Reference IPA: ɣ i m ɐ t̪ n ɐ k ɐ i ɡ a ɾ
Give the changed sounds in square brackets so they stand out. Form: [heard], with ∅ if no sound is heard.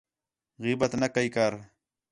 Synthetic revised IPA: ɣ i [b] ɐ t̪ n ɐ k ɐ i [k] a ɾ